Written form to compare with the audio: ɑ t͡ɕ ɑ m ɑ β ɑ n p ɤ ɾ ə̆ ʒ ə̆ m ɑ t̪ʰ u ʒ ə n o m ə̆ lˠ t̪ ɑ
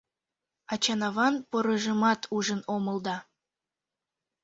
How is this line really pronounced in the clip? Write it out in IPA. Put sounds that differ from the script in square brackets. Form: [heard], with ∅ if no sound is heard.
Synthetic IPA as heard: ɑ t͡ɕ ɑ [n] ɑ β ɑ n p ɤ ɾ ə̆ ʒ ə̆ m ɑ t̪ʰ u ʒ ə n o m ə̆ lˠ [d̪] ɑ